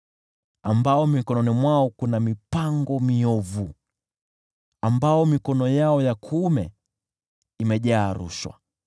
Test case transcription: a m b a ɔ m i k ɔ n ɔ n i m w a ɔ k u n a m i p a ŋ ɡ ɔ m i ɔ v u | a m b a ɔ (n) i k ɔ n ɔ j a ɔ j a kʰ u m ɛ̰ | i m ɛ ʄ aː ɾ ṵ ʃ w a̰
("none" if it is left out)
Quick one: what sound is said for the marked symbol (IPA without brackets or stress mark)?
m